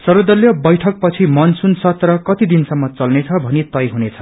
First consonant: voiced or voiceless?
voiceless